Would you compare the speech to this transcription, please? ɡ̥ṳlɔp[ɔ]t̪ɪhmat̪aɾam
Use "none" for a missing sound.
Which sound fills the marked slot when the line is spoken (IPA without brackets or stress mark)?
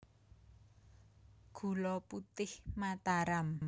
u